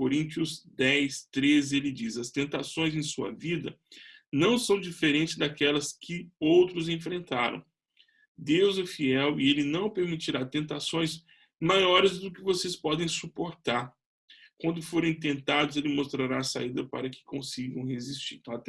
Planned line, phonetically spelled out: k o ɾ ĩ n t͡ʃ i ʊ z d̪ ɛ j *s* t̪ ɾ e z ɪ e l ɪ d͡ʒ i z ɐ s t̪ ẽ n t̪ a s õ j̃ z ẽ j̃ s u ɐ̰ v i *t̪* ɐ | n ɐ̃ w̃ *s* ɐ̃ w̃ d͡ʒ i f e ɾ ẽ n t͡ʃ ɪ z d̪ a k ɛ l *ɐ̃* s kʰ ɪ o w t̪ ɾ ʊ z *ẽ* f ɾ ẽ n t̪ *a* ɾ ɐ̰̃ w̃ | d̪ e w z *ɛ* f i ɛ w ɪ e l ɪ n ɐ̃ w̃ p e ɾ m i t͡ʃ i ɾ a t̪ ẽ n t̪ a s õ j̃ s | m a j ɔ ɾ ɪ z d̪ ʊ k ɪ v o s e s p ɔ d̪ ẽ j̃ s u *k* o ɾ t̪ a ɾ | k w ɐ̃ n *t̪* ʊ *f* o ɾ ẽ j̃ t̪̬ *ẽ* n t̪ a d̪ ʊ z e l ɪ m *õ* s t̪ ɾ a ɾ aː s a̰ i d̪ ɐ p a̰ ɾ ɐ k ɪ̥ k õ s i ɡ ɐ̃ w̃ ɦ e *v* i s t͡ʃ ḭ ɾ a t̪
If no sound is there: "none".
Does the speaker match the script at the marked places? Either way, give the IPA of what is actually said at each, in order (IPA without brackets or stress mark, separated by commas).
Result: s, d̪, s, ɐ, ẽ, a, ɛ, p, d̪, f, ẽ, o, z